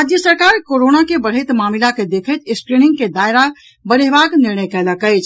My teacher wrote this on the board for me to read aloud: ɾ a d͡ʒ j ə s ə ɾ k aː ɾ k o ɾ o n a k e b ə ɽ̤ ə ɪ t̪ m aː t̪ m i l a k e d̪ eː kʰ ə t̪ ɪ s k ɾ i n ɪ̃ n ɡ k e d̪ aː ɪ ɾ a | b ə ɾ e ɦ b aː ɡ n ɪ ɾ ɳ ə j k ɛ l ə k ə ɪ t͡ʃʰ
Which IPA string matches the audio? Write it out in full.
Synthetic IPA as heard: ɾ a d͡ʒ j ə s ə ɾ k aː ɾ k o ɾ o n a k e b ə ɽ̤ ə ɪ t̪ m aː m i l a k e d̪ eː kʰ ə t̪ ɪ s k ɾ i n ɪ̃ ŋ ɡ k e d̪ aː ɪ ɾ a | b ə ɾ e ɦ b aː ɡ n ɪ ɾ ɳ ə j k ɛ l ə k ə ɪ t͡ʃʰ